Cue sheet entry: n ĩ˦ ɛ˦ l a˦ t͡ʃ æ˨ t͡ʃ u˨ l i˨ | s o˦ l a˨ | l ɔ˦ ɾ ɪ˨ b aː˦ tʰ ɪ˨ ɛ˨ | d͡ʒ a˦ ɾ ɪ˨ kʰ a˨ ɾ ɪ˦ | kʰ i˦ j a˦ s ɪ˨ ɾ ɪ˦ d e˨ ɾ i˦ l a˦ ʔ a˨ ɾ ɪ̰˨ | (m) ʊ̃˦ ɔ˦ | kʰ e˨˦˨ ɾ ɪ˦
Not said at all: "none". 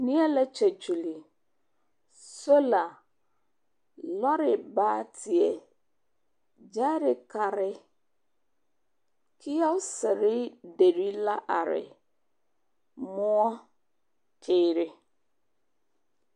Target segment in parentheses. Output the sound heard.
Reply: m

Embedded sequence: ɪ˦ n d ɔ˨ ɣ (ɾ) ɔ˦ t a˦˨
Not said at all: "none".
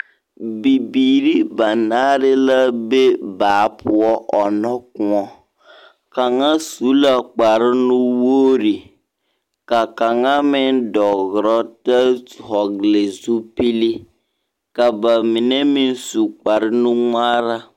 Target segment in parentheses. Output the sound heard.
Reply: ɾ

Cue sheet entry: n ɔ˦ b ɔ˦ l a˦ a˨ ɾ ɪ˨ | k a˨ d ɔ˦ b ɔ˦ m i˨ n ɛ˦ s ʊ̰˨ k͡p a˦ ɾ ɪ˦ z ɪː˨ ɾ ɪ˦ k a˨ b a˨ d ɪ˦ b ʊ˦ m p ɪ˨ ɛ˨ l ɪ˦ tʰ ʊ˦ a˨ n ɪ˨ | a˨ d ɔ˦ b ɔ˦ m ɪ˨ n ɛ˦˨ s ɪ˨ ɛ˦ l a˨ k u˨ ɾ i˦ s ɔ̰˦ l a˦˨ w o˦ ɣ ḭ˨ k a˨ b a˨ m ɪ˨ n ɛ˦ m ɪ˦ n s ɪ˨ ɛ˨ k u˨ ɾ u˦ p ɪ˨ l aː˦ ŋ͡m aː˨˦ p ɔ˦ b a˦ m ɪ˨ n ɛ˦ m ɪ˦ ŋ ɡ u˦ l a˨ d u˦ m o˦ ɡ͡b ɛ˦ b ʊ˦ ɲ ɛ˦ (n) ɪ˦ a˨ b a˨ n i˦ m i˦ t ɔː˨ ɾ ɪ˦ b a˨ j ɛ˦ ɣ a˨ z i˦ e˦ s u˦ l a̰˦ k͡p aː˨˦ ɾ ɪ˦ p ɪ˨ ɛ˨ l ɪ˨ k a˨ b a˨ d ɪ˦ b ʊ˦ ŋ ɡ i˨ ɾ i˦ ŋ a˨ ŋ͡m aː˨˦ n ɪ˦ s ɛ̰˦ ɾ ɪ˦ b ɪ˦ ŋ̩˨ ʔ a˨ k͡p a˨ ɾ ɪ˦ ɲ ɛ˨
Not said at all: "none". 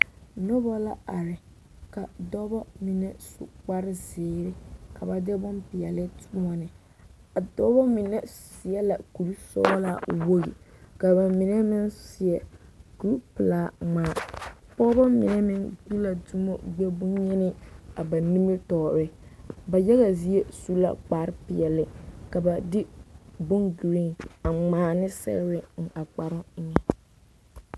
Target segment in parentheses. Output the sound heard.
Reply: n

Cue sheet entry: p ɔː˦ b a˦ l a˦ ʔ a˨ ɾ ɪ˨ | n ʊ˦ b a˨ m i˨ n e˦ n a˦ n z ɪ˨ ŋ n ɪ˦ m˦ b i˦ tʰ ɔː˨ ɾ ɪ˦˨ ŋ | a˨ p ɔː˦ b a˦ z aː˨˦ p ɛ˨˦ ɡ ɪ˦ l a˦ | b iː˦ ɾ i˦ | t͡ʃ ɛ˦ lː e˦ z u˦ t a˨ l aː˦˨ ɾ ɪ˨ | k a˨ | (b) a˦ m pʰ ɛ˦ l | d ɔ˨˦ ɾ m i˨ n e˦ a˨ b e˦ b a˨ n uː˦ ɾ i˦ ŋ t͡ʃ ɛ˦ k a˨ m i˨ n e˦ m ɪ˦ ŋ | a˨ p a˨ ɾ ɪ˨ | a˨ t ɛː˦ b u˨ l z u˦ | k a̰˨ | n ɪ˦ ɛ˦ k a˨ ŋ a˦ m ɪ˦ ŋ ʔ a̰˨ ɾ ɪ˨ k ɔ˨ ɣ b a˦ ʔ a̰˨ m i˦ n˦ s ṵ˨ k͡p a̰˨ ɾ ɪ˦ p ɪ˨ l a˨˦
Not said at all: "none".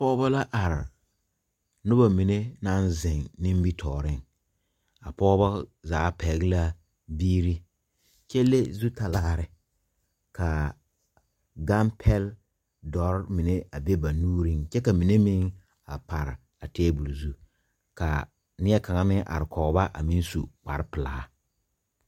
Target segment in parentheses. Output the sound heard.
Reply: ɡ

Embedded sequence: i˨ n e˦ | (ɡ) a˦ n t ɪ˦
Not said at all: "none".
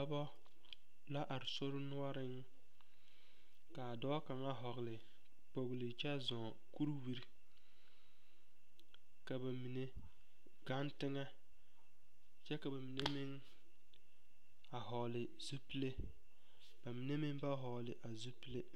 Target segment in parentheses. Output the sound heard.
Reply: ɡ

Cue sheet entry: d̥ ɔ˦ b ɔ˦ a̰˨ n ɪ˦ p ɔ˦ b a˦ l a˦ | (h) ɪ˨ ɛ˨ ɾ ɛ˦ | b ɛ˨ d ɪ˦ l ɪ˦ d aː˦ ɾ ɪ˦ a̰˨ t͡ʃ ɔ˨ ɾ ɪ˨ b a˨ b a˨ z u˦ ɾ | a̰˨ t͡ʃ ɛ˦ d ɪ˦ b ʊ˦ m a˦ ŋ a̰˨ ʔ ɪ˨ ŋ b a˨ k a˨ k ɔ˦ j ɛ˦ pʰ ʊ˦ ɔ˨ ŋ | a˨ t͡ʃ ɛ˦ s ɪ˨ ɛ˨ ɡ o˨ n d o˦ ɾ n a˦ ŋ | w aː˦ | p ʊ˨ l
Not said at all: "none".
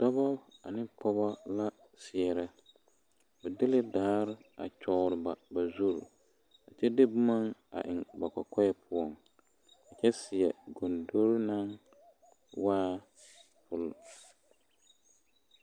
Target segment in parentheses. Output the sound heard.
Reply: s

